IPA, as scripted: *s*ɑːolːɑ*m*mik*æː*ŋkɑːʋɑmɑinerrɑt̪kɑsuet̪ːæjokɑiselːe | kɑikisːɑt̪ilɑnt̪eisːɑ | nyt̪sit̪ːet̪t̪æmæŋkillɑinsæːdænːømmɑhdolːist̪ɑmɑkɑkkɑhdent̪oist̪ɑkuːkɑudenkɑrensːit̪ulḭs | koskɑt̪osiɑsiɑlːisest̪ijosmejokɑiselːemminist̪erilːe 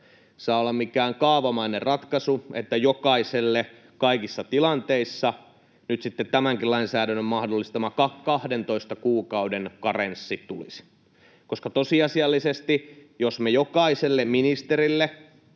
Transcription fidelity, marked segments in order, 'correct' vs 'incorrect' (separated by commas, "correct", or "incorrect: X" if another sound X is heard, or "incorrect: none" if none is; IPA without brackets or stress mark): correct, correct, correct